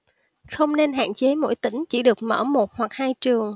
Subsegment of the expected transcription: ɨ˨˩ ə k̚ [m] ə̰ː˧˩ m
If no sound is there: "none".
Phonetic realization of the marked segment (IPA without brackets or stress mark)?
m